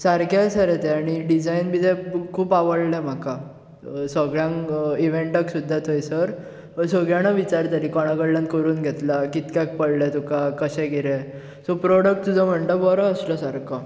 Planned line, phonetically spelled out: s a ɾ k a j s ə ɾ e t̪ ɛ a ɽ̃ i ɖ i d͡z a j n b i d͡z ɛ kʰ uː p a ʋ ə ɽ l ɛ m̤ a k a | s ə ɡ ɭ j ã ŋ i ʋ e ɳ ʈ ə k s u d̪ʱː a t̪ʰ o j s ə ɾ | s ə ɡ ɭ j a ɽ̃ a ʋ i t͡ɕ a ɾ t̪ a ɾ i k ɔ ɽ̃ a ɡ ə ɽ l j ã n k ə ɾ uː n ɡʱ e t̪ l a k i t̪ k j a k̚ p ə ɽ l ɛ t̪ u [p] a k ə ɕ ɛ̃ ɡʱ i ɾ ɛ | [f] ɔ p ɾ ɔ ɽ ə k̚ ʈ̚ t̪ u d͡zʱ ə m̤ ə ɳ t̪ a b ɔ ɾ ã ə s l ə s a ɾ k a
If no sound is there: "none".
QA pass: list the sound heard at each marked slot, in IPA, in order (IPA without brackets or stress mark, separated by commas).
k, s